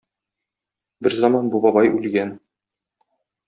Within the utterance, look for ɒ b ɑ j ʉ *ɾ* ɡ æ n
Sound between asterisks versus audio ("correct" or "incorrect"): incorrect